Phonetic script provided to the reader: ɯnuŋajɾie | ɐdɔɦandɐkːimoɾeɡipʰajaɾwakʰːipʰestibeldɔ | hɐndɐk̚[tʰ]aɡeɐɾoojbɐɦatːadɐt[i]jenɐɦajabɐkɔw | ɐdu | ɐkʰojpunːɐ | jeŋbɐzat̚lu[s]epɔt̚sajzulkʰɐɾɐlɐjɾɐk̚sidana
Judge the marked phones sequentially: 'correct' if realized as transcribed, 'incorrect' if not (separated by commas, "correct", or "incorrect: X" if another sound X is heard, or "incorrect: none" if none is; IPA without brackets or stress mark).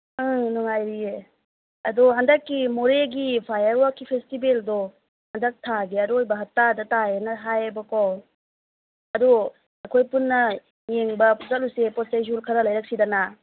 correct, incorrect: a, correct